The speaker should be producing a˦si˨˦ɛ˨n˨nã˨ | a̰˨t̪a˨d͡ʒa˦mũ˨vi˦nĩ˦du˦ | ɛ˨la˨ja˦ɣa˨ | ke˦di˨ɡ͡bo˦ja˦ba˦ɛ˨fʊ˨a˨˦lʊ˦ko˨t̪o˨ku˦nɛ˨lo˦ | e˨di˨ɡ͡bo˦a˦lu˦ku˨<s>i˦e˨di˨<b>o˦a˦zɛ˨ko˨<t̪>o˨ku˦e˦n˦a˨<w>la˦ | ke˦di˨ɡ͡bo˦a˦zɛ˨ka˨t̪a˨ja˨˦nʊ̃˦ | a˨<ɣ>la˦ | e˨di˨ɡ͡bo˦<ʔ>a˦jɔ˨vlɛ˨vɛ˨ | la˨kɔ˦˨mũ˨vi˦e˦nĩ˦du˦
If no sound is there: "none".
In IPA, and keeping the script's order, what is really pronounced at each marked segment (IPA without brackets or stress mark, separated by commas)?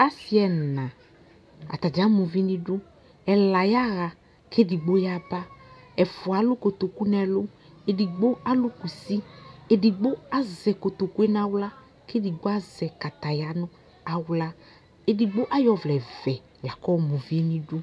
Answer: s, ɡ͡b, t̪, w, w, ʔ